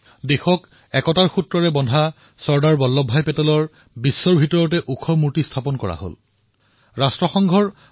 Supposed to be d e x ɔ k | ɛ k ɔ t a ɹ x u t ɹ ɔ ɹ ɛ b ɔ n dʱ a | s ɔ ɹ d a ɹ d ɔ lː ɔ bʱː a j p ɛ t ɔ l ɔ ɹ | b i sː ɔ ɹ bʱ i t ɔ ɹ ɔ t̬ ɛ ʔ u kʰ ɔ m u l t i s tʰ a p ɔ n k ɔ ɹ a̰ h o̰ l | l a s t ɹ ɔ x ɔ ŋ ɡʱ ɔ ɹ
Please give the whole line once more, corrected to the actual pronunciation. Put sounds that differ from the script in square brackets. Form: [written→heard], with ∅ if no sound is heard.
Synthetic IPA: d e x ɔ k | ɛ k ɔ t a ɹ x u t ɹ ɔ ɹ ɛ b ɔ n dʱ a | s ɔ ɹ d a ɹ [d→b] ɔ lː ɔ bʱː a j p ɛ t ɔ l ɔ ɹ | b i sː ɔ ɹ bʱ i t ɔ ɹ ɔ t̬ ɛ ʔ u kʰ ɔ m u [l→ɹ] t i s tʰ a p ɔ n k ɔ ɹ a̰ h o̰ l | [l→ɹ] a s t ɹ ɔ x ɔ ŋ ɡʱ ɔ ɹ